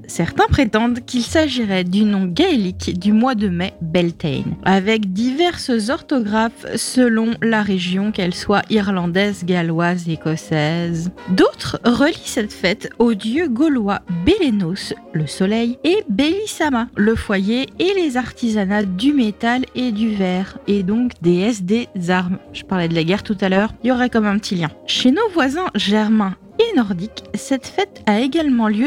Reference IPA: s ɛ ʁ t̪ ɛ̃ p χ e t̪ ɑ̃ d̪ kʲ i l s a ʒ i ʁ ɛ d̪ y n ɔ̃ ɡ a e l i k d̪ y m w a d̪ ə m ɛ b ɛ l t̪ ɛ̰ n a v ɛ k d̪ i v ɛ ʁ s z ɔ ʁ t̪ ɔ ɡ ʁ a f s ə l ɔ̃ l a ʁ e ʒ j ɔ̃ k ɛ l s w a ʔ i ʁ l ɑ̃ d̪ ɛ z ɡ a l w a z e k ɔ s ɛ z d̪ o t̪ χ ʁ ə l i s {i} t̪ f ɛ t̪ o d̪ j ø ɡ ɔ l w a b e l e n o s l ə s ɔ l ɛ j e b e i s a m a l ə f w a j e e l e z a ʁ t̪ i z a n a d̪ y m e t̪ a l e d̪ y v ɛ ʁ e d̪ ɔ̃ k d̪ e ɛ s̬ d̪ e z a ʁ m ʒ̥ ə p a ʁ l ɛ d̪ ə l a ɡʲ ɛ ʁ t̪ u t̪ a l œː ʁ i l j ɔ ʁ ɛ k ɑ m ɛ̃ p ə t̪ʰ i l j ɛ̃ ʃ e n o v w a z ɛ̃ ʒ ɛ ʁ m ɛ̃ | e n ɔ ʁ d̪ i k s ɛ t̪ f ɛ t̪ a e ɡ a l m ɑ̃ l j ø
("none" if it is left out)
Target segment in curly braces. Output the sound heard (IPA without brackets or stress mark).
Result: ɛ